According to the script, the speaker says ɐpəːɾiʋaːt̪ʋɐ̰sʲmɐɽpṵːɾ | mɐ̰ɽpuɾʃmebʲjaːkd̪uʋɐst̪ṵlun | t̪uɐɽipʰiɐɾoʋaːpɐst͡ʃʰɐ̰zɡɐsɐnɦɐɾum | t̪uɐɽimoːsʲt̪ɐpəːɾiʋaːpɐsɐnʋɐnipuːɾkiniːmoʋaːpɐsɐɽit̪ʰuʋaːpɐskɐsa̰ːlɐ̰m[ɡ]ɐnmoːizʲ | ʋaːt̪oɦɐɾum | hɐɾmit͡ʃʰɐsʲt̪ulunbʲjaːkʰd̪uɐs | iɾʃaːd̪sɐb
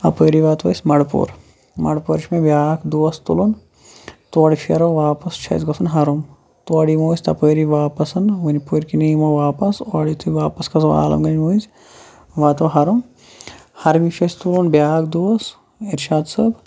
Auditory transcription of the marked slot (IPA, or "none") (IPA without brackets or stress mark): ɡ